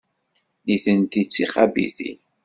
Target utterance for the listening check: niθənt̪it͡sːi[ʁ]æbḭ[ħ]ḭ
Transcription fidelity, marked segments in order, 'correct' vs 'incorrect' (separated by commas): incorrect, incorrect